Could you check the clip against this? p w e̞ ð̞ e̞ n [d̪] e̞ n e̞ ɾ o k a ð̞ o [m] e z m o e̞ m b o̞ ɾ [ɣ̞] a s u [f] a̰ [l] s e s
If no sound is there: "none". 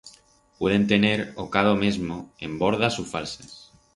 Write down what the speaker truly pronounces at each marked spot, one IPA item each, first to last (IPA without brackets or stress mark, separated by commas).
t̪, m, ð̞, f, l